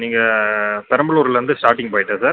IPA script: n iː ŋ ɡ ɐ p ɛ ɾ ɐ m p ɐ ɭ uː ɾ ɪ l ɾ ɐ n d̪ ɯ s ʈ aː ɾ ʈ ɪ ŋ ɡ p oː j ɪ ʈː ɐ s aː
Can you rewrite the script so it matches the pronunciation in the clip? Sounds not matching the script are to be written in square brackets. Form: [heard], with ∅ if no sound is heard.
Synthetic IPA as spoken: n iː ŋ ɡ ɐ p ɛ ɾ ɐ m [b] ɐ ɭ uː ɾ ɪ l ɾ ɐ n d̪ ɯ s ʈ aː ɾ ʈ ɪ ŋ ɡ p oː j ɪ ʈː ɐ s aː